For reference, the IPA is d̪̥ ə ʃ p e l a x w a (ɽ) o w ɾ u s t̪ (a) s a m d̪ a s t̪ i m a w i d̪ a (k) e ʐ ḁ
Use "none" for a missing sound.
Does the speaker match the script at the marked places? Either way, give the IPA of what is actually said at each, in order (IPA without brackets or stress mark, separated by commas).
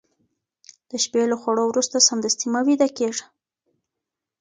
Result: ɽ, a, k